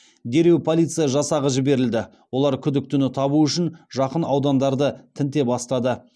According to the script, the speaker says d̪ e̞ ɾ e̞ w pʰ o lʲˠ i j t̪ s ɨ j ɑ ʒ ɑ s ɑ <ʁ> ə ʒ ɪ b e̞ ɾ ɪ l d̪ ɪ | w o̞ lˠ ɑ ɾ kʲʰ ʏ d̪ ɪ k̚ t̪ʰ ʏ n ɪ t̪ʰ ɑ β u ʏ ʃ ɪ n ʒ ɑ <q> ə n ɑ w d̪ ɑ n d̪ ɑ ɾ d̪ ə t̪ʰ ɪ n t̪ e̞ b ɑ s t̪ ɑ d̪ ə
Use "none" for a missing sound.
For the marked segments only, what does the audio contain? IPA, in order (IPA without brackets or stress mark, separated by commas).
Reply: ʁ, q